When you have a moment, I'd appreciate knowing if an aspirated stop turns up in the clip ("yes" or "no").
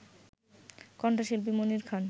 yes